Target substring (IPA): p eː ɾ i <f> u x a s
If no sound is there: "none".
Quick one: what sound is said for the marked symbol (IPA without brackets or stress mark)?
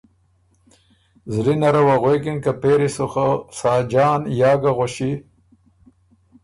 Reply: s